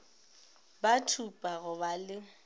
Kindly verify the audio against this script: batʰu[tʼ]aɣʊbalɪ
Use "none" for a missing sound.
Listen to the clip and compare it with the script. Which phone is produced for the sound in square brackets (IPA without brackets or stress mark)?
pʼ